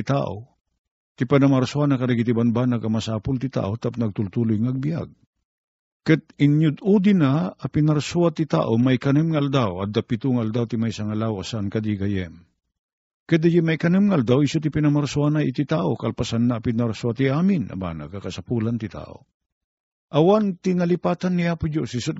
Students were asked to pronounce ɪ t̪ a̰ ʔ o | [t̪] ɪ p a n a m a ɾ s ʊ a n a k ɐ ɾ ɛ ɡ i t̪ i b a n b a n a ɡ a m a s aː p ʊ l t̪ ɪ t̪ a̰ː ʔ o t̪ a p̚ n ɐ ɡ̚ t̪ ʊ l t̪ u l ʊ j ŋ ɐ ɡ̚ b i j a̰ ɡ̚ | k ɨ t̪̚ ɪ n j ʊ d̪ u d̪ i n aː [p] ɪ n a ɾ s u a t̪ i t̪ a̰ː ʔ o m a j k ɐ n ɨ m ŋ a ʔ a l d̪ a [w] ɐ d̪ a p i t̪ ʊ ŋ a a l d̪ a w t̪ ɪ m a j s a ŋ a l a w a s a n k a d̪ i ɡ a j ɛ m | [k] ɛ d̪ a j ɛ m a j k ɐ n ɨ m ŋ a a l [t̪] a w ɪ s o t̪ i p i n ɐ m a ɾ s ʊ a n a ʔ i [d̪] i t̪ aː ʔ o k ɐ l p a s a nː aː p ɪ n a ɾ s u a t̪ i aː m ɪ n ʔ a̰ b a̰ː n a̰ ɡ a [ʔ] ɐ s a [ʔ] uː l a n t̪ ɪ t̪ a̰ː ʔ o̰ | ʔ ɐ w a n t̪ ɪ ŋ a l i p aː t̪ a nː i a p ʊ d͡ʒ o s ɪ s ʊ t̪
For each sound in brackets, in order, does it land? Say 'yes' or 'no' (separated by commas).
yes, yes, yes, yes, no, no, no, no